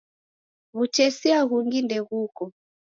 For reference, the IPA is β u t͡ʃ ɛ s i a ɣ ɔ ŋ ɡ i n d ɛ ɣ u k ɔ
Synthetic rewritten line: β u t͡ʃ ɛ s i a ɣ u ŋ ɡ i n d ɛ ɣ u k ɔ